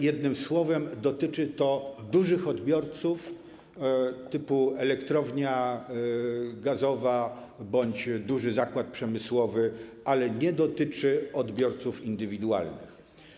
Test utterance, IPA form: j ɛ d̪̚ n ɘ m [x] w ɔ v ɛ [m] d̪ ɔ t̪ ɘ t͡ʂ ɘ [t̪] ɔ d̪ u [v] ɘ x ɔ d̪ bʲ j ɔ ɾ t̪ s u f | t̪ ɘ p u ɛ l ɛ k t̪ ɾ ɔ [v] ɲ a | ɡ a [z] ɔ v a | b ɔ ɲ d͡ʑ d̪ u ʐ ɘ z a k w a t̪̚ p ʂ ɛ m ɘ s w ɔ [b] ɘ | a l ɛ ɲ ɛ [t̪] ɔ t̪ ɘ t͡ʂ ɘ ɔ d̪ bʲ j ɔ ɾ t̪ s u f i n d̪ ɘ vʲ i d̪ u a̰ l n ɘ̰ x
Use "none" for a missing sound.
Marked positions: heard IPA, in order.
s, m, t̪, ʐ, v, z, v, d̪

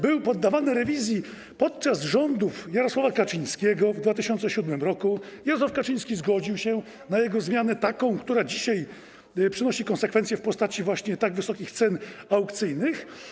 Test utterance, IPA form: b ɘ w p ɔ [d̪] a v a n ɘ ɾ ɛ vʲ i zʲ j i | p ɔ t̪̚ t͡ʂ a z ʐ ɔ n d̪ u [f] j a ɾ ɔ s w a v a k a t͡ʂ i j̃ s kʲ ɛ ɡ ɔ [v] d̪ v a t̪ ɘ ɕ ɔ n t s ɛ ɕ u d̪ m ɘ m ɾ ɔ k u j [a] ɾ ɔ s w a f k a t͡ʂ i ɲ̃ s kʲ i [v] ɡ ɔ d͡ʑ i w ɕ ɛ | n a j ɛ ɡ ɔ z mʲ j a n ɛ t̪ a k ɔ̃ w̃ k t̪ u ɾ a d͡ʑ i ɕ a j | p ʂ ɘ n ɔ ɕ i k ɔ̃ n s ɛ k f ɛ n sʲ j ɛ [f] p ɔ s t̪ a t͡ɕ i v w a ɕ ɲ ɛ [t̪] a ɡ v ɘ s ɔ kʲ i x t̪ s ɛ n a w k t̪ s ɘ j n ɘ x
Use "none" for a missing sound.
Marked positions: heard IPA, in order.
d̪ː, f, v, a, z, f, t̪

